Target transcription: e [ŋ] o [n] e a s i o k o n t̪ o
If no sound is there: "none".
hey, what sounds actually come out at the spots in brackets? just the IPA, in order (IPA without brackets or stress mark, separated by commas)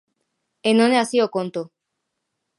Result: n, n